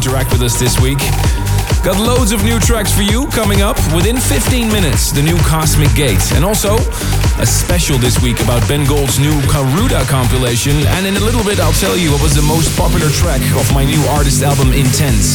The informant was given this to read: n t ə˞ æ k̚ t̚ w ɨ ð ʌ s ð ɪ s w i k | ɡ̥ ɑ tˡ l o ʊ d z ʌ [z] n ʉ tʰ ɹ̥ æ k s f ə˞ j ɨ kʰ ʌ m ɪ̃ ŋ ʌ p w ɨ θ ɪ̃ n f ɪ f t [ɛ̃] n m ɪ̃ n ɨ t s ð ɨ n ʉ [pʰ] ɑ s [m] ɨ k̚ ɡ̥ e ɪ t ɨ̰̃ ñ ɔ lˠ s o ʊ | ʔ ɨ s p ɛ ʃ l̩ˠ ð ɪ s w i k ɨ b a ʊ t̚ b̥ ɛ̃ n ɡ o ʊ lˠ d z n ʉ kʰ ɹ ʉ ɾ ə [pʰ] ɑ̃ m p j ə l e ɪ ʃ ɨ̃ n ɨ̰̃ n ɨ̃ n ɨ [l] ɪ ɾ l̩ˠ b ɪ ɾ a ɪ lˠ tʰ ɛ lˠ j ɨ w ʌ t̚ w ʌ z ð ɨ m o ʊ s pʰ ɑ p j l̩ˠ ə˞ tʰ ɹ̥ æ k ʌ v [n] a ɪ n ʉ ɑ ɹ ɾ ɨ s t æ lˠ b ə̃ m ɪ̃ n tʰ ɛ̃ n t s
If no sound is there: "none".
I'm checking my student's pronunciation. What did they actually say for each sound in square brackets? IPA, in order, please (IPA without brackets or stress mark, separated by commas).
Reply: v, ĩ, kʰ, m, kʰ, l, m